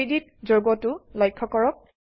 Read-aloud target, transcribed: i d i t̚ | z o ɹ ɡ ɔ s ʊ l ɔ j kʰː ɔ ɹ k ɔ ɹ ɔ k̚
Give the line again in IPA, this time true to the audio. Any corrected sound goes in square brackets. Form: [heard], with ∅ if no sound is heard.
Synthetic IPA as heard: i d i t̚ | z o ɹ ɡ ɔ [t] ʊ l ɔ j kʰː ɔ [∅] k ɔ ɹ ɔ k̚